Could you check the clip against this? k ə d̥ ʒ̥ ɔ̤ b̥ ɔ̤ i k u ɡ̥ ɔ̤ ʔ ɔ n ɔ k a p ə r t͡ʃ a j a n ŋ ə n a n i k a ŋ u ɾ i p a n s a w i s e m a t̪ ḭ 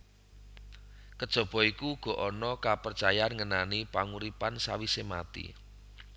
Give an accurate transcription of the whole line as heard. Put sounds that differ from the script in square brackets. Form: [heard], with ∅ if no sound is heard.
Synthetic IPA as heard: k ə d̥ ʒ̥ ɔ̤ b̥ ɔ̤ i k u ɡ̥ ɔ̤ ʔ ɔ n ɔ k a p ə r t͡ʃ a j a n ŋ ə n a n i [p] a ŋ u ɾ i p a n s a w i s e m a t̪ ḭ